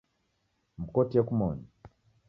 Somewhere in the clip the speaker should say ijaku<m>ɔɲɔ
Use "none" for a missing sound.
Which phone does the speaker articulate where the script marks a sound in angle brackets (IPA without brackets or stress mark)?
m